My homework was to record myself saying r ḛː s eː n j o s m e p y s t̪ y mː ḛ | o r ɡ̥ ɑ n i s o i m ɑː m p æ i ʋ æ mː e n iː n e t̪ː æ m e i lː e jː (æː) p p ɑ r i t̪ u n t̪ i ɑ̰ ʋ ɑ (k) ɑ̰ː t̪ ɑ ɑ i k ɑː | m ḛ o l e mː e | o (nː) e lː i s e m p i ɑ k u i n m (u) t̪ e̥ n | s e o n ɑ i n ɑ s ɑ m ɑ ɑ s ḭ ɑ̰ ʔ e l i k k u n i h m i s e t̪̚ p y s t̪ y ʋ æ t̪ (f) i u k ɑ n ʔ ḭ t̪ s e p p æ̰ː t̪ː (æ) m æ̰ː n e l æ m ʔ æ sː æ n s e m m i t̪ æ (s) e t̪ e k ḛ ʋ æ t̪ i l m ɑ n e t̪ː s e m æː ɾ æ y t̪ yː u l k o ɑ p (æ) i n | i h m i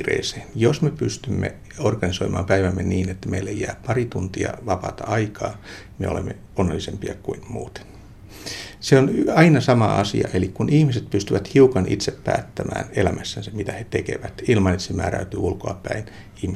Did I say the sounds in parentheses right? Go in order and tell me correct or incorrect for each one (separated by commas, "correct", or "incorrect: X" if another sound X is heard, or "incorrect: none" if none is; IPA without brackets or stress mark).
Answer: correct, incorrect: p, correct, incorrect: uː, incorrect: h, correct, incorrect: h, correct